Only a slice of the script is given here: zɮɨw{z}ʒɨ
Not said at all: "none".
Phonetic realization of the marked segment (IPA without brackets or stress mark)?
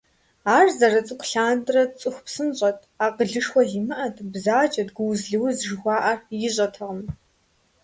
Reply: z